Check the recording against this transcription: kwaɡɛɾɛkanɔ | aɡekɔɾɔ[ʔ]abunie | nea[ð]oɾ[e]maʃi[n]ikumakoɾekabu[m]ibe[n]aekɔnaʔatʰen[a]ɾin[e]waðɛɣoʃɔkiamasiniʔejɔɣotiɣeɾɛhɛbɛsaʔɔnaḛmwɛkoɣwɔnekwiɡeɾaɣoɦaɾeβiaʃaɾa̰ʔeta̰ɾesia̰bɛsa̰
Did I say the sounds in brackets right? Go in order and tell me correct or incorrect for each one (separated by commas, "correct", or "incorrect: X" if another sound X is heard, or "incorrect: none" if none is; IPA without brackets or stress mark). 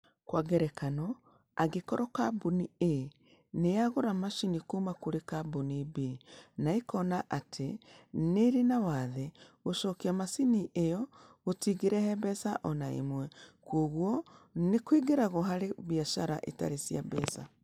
incorrect: k, incorrect: ɣ, incorrect: a, correct, incorrect: n, correct, incorrect: e, incorrect: a